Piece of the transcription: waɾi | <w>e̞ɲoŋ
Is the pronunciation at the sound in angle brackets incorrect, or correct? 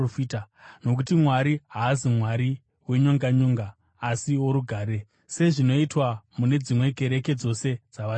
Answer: correct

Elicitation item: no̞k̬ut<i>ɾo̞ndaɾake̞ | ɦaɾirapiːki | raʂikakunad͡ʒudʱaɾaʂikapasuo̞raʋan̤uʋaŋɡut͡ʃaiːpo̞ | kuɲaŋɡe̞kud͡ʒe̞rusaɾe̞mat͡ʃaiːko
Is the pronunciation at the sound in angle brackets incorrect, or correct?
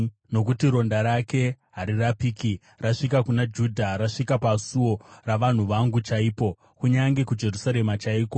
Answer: correct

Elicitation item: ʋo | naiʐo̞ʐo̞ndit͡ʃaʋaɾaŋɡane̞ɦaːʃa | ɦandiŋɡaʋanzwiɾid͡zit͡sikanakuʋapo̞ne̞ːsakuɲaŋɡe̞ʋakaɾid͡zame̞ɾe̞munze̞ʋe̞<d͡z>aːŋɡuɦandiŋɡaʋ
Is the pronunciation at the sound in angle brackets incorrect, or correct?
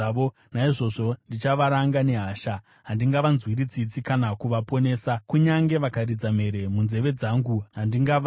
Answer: correct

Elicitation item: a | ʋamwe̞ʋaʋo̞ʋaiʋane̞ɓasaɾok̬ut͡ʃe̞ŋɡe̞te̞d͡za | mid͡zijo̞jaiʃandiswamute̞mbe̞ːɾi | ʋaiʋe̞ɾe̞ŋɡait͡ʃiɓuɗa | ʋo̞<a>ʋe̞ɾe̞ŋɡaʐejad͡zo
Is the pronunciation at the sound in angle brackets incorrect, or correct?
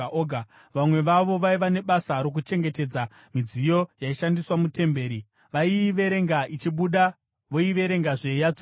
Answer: incorrect: i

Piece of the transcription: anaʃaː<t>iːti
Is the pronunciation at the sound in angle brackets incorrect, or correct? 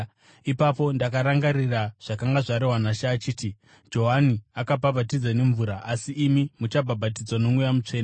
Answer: incorrect: t͡ʃ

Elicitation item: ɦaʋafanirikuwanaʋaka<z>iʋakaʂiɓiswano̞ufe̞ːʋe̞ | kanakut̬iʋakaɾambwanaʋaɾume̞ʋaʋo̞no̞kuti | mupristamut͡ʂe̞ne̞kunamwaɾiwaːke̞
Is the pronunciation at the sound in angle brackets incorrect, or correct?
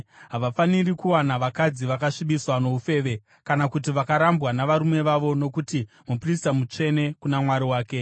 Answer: incorrect: d͡z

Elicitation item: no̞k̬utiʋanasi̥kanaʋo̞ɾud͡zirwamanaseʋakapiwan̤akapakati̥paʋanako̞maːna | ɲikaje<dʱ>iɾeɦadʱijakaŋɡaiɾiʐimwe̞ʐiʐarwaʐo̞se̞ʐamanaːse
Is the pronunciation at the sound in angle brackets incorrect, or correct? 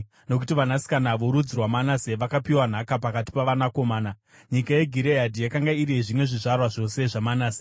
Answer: incorrect: ɡʱ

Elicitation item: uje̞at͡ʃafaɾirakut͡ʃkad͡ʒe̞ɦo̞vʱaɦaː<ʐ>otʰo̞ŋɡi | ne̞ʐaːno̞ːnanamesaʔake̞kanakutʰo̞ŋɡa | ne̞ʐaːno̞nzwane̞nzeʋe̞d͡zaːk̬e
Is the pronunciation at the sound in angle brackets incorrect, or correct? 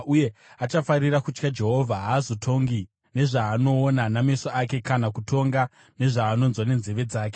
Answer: incorrect: z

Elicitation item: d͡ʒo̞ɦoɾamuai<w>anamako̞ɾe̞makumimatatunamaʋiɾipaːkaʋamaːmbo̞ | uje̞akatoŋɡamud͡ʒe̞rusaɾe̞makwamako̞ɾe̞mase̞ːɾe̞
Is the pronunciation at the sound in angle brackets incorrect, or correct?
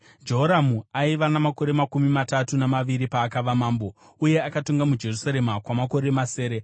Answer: incorrect: ʋ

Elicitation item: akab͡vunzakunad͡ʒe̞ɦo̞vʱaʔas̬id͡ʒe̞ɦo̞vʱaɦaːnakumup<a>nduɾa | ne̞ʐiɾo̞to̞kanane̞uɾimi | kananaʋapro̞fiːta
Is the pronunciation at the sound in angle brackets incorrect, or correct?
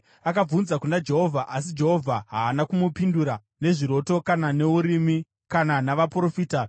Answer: incorrect: i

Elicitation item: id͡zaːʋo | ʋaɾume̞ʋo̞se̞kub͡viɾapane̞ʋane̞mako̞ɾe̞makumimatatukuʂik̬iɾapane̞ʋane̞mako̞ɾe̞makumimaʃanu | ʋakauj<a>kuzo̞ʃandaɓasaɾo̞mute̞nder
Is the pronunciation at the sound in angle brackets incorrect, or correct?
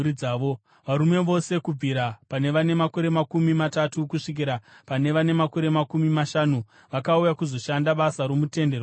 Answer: correct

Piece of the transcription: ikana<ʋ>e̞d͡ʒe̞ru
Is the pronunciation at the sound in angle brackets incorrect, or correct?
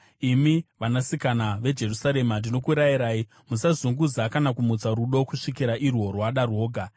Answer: correct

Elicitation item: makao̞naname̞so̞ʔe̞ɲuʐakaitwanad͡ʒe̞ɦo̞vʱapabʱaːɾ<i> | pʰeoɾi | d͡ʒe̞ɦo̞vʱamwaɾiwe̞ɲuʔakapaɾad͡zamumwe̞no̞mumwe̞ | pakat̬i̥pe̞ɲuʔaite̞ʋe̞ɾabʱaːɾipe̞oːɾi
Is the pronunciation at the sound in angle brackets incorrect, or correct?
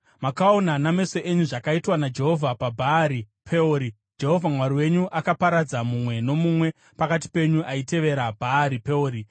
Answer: correct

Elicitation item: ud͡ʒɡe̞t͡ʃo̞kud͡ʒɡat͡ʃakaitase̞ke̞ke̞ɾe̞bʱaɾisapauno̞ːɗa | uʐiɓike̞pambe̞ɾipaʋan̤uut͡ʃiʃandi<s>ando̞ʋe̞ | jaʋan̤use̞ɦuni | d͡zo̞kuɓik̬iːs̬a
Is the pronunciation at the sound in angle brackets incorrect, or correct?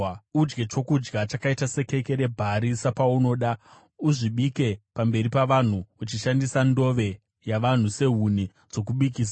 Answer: correct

